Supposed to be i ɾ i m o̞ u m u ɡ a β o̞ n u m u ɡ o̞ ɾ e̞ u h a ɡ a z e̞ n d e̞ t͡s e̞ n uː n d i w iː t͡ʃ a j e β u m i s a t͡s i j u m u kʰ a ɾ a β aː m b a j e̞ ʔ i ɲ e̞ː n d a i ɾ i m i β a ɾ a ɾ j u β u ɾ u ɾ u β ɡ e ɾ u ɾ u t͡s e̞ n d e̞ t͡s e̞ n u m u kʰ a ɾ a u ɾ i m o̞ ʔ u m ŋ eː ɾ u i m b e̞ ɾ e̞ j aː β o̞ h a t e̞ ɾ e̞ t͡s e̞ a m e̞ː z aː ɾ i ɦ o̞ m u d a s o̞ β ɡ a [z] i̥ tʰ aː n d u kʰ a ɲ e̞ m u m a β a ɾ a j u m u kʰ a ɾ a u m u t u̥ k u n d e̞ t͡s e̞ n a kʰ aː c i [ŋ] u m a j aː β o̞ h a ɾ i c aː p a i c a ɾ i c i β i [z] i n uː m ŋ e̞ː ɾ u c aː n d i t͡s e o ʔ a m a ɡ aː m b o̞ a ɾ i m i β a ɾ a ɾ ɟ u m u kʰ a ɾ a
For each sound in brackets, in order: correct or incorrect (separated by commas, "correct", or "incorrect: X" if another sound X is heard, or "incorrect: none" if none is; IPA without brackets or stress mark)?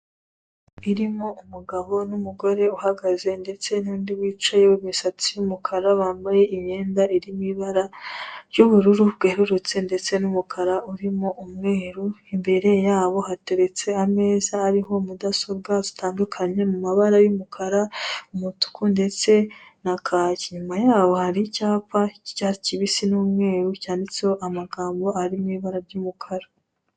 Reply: correct, incorrect: ɲ, incorrect: s